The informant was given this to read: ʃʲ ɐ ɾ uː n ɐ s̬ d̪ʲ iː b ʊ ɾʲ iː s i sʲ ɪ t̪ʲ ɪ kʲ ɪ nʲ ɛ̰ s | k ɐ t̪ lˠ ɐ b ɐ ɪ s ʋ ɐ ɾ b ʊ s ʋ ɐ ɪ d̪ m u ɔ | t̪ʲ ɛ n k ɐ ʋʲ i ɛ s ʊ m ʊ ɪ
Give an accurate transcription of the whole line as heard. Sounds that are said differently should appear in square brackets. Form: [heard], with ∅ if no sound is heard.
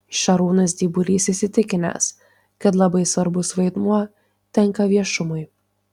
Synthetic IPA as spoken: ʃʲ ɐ ɾ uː n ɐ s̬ d̪ʲ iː b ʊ ɾʲ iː s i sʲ ɪ t̪ʲ ɪ kʲ ɪ nʲ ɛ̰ s | k ɐ t̪ lˠ ɐ b ɐ ɪ s ʋ ɐ ɾ b ʊ s ʋ ɐ ɪ d̪ m u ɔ | t̪ʲ ɛ [ŋ] k ɐ ʋʲ i ɛ [ʃ] ʊ m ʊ ɪ